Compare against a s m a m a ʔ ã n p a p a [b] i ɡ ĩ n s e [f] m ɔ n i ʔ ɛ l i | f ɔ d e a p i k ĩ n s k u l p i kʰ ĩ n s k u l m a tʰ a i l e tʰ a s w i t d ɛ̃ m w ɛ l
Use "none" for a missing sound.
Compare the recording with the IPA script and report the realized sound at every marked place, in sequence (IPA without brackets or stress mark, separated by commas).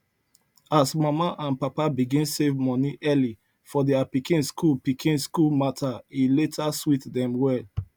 b, v